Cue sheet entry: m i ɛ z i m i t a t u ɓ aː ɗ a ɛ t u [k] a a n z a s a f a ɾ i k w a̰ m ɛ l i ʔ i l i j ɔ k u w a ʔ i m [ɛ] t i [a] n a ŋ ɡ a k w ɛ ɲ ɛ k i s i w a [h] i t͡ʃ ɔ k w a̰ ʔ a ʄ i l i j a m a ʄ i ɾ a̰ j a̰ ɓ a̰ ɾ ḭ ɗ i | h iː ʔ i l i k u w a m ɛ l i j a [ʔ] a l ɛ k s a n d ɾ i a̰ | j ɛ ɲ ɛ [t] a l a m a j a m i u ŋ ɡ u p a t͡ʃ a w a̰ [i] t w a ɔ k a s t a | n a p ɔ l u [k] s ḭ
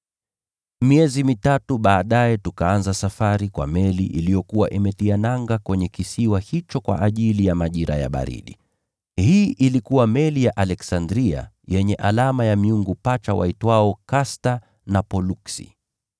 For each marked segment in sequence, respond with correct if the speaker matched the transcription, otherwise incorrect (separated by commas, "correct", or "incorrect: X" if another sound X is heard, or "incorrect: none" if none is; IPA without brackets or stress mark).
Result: correct, correct, correct, correct, correct, incorrect: ʔ, correct, correct